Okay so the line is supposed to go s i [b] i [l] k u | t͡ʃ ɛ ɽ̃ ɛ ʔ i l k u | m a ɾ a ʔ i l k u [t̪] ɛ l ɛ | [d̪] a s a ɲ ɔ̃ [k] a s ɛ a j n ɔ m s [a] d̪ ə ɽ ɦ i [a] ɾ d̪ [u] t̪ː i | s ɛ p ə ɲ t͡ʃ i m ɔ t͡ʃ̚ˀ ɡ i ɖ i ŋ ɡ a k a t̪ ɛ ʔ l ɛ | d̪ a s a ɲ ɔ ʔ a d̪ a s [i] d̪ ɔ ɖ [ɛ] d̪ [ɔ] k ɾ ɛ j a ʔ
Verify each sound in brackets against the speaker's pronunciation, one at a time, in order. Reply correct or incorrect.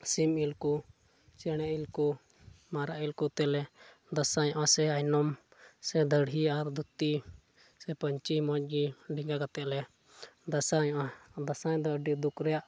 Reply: incorrect, correct, correct, correct, incorrect, incorrect, correct, correct, incorrect, incorrect, incorrect

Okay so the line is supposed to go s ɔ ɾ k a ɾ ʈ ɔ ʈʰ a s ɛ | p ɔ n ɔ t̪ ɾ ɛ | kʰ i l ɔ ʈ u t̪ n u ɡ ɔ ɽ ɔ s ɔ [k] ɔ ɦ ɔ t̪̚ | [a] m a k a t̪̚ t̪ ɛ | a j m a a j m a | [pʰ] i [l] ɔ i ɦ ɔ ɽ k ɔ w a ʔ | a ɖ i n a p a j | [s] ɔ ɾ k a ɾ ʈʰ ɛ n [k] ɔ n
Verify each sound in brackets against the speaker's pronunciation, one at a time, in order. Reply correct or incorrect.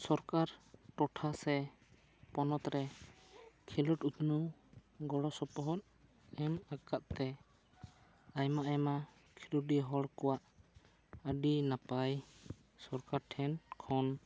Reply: incorrect, incorrect, incorrect, correct, correct, incorrect

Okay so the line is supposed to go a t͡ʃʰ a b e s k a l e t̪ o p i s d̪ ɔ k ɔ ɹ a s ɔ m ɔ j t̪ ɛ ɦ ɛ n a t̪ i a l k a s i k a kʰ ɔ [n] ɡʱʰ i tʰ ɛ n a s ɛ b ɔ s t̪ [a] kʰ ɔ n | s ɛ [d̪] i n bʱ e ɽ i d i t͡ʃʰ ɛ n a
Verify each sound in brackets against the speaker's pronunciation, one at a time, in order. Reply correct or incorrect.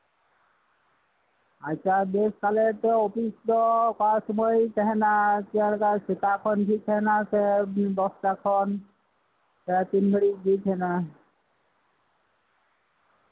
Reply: correct, correct, incorrect

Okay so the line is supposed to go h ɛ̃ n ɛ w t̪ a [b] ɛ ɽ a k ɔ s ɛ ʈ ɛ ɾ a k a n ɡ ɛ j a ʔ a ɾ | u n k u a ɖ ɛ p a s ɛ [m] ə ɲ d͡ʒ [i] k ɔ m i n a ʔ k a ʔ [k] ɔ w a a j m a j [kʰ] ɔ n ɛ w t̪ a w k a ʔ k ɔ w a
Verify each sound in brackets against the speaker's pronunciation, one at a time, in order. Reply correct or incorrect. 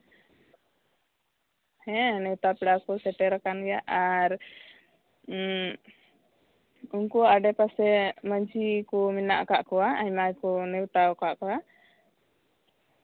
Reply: incorrect, correct, correct, correct, incorrect

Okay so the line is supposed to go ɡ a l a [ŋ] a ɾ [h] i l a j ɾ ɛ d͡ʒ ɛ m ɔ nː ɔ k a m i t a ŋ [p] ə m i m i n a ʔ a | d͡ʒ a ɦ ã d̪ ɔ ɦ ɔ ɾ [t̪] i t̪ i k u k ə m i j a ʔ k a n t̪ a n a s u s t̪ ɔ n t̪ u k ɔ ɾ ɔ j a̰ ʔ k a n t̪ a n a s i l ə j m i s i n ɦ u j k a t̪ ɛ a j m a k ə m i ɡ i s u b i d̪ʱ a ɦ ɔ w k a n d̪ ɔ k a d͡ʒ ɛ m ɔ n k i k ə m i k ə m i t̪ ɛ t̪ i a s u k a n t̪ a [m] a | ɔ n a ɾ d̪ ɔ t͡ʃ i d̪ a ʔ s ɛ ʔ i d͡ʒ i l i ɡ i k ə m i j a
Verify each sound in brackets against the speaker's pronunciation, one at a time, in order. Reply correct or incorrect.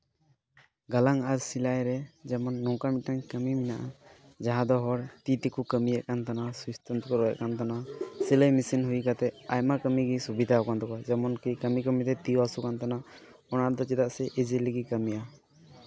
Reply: correct, incorrect, incorrect, correct, incorrect

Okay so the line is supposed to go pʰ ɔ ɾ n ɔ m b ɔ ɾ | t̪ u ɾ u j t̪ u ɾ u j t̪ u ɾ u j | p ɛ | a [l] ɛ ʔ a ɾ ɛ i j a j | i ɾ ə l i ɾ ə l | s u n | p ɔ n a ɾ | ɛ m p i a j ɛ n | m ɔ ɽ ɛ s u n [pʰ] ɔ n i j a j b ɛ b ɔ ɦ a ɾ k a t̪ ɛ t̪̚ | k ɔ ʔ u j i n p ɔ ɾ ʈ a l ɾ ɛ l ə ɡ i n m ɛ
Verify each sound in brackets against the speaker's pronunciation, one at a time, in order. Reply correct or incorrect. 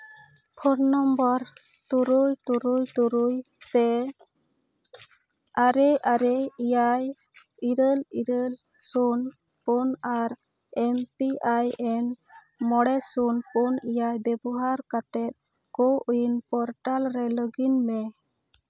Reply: incorrect, incorrect

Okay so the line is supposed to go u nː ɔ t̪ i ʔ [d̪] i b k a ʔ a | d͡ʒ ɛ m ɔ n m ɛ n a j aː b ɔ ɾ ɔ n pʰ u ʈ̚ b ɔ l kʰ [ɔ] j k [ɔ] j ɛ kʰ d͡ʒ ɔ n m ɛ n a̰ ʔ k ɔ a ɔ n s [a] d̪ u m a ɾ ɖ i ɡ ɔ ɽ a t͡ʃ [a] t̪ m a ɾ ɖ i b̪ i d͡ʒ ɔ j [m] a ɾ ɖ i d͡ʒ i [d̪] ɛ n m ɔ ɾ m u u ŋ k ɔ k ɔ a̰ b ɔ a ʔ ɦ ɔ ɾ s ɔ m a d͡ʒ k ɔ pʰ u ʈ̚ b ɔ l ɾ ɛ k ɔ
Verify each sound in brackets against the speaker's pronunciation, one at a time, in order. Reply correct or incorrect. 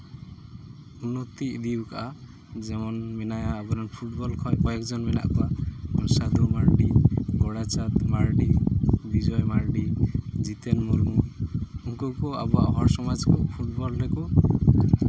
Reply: correct, correct, correct, correct, correct, correct, incorrect

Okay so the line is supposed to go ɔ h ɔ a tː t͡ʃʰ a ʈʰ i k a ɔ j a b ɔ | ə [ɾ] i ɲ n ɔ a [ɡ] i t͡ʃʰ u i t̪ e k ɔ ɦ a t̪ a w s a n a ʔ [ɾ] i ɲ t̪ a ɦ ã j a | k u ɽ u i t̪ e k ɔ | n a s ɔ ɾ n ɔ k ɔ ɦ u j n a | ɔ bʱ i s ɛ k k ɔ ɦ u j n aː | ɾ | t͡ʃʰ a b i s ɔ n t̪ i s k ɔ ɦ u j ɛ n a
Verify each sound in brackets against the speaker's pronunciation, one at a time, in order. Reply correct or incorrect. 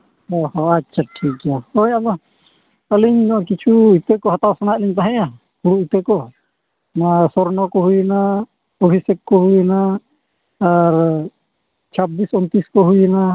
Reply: incorrect, incorrect, incorrect

